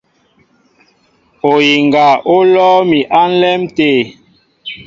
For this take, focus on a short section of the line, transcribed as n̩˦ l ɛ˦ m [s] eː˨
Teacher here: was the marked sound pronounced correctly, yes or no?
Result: no